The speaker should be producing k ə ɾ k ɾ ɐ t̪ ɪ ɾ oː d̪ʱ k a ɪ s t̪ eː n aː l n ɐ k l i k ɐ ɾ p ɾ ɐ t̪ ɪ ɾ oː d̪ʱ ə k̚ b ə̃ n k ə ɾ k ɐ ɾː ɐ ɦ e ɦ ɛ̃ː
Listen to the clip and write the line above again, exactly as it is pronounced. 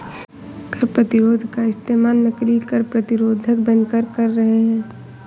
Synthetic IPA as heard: k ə ɾ p ɾ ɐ t̪ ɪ ɾ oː d̪ʱ k a ɪ s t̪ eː m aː l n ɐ k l i k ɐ ɾ p ɾ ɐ t̪ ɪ ɾ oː d̪ʱ ə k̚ b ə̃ n k ə ɾ k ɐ ɾː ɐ ɦ e ɦ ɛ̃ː